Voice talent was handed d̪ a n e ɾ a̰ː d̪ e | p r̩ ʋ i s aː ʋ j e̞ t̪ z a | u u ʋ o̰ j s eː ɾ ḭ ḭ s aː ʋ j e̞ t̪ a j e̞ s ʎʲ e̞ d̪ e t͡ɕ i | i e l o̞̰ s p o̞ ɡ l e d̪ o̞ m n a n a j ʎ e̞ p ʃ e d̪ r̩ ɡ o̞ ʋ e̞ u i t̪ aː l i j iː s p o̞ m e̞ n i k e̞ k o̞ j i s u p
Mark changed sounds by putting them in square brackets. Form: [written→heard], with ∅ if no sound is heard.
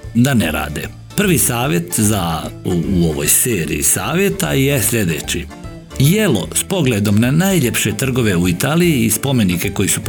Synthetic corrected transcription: d̪ a n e ɾ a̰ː d̪ e | p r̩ ʋ i s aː ʋ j e̞ t̪ z a | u [u→o] ʋ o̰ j s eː ɾ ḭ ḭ s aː ʋ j e̞ t̪ a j e̞ s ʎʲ e̞ d̪ e t͡ɕ i | [i→j] e l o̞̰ s p o̞ ɡ l e d̪ o̞ m n a n a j ʎ e̞ p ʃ e [d̪→t̪] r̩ ɡ o̞ ʋ e̞ u i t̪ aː l i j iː s p o̞ m e̞ n i k e̞ k o̞ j i s u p